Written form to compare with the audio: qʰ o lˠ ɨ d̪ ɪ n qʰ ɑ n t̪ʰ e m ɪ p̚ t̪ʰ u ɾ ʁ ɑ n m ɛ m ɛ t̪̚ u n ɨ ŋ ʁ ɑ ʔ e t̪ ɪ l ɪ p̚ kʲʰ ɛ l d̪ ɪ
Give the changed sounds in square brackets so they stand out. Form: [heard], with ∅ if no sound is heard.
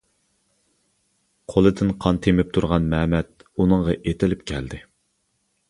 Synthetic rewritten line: qʰ o lˠ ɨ d̪ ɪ n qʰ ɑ n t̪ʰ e m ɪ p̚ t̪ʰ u ɾ ʁ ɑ n m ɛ m ɛ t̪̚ u n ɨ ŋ ʁ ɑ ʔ e t̪ ɪ l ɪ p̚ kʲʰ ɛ l d̪ ɪ